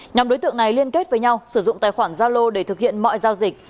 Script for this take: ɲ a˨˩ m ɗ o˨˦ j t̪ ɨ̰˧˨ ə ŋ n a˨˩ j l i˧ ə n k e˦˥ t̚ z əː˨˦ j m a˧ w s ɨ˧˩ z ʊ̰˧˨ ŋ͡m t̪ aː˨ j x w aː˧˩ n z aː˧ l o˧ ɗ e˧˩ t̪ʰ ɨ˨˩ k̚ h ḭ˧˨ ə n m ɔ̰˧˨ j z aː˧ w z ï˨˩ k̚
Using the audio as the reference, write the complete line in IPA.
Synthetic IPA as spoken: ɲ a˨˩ m ɗ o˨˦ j t̪ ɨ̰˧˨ ə ŋ n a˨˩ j l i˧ ə n k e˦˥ t̚ v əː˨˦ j ɲ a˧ w s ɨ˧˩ z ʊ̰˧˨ ŋ͡m t̪ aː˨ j x w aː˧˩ n z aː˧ l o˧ ɗ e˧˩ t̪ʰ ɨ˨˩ k̚ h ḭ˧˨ ə n m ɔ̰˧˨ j z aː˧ w z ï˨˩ k̚

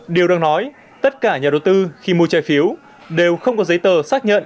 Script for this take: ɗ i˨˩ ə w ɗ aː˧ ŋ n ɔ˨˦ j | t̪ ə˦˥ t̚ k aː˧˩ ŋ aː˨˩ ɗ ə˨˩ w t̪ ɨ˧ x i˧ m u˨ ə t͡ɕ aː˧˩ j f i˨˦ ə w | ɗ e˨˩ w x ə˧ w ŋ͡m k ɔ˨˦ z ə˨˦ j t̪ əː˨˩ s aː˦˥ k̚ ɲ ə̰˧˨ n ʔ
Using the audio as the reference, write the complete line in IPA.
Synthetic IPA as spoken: ɗ i˨˩ ə w ɗ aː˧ ŋ n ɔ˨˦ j | t̪ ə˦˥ t̚ k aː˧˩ ɲ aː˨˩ ɗ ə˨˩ w t̪ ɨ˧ x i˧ m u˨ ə t͡ɕ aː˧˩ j f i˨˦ ə w | ɗ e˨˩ w x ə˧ w ŋ͡m k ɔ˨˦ z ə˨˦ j t̪ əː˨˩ s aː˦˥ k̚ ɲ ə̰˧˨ n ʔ

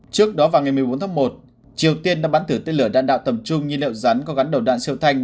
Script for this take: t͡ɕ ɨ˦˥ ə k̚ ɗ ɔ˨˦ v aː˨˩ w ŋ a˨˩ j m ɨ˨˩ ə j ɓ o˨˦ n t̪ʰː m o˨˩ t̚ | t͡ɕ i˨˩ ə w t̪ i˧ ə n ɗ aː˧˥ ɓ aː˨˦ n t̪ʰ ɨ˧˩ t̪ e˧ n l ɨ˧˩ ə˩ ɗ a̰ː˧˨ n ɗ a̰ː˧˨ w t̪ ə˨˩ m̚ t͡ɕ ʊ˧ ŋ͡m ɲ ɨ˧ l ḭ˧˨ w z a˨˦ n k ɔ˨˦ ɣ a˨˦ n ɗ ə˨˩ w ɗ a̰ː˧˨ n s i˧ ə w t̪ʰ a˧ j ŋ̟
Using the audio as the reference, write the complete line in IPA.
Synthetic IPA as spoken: t͡ɕ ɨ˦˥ ə k̚ ɗ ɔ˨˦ v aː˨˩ w ŋ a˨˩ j m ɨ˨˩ ə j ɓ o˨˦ n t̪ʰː m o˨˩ t̚ | t͡ɕ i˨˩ ə w t̪ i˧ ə n ɗ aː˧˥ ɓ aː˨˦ n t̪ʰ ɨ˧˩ t̪ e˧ n l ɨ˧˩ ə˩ ɗ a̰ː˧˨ n ɗ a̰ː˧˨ w t̪ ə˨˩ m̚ t͡ɕ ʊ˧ ŋ͡m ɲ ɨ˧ l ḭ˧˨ w z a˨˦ n k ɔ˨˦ ɣ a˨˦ n ɗ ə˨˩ w ɗ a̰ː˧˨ n s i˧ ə w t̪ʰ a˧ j ŋ̟

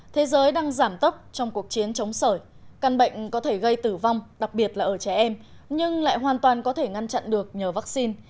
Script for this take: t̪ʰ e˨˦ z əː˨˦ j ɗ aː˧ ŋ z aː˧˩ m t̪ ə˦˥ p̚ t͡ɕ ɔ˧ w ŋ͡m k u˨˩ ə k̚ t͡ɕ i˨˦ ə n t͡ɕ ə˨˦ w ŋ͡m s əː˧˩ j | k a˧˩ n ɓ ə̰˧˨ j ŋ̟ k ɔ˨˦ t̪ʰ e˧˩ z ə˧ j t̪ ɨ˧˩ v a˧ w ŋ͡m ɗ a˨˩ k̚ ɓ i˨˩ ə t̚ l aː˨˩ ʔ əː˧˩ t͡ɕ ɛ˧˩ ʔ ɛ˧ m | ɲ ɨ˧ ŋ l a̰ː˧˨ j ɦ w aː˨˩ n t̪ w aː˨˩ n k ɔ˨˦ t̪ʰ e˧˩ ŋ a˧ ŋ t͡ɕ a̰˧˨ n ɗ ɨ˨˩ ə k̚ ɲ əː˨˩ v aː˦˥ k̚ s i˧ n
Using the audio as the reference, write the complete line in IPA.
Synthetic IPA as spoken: t̪ʰ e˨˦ z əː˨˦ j ɗ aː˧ ŋ z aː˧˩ m t̪ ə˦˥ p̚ t͡ɕ ɔ˧ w ŋ͡m k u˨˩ ə k̚ t͡ɕ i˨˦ ə n t͡ɕ ə˨˦ w ŋ͡m s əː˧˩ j | k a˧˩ n ɓ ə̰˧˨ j ŋ̟ k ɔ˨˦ t̪ʰ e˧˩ ɣ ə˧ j t̪ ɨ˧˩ v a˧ w ŋ͡m ɗ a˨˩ k̚ ɓ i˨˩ ə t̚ l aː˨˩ ʔ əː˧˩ t͡ɕ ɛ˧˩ ʔ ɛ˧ m | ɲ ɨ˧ ŋ l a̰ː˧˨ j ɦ w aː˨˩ n t̪ w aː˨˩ n k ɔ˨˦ t̪ʰ e˧˩ ŋ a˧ n t͡ɕ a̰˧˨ n ɗ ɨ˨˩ ə k̚ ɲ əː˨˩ v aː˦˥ k̚ s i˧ n

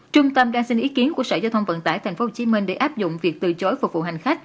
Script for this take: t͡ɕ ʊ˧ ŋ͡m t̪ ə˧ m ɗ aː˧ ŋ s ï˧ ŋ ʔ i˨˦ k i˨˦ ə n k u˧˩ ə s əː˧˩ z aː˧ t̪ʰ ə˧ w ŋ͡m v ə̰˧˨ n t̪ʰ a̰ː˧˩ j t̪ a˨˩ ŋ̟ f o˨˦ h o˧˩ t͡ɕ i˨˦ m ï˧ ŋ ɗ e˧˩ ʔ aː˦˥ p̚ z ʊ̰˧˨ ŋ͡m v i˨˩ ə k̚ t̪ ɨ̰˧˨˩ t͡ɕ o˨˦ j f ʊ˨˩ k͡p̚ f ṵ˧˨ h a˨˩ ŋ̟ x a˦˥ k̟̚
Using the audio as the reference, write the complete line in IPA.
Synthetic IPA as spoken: t͡ɕ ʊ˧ ŋ͡m t̪ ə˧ m ɗ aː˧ ŋ s ï˧ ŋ ʔ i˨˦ k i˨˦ ə n k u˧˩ ə s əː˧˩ z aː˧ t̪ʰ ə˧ w ŋ͡m v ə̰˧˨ n t̪ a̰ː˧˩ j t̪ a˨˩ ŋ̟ f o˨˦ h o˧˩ t͡ɕ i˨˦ m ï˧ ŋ ɗ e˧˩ ʔ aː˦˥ p̚ z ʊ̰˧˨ ŋ͡m v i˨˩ ə k̚ t̪ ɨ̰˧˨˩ t͡ɕ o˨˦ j f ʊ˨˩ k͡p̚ v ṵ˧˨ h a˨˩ ŋ̟ x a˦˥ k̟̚

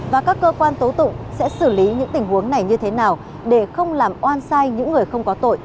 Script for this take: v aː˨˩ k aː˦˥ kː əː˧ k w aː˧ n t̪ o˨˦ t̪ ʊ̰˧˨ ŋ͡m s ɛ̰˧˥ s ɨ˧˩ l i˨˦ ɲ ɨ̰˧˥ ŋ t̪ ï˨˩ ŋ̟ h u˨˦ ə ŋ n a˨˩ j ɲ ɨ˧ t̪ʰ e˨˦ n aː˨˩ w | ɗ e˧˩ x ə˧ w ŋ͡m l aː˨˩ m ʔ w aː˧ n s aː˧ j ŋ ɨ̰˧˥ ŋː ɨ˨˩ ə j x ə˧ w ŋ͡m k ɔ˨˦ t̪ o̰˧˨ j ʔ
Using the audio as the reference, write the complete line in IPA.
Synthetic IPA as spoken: v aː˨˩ k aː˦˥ kː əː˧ k w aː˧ n t̪ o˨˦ t̪ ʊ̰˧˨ ŋ͡m s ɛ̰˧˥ s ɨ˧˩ l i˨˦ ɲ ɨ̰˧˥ ŋ t̪ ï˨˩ ŋ̟ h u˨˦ ə ŋ n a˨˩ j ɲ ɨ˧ t̪ʰ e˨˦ n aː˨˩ w | ɗ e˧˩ x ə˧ w ŋ͡m l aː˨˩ m ʔ w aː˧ n s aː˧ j ɲ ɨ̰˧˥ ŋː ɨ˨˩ ə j x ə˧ w ŋ͡m k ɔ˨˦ t̪ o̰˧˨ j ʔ

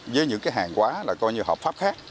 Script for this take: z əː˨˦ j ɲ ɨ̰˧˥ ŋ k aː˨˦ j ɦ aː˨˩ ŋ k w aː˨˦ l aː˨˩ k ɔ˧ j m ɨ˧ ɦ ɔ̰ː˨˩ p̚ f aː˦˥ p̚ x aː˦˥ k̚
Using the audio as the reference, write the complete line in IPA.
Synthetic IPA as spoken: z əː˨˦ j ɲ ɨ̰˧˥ ŋ k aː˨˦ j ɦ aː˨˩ ŋ k w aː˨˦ l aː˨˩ k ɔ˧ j ɲ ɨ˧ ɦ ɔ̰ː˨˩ p̚ f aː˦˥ p̚ x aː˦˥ k̚

